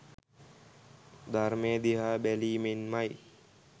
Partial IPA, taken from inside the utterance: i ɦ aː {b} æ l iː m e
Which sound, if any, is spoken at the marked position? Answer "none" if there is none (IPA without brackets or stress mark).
b